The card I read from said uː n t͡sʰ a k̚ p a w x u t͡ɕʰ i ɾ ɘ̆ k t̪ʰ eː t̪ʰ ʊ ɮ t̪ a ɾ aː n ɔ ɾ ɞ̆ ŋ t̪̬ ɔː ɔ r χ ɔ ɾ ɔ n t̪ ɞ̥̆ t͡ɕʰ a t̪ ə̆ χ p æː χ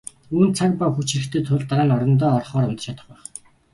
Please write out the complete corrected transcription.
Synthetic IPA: uː n t͡sʰ a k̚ p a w x u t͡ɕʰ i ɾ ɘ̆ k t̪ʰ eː t̪ʰ ʊ ɮ t̪ a ɾ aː n ɔ ɾ ɞ̆ n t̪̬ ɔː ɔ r χ ɔː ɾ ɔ n t̪ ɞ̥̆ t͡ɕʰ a t̪ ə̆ χ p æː χ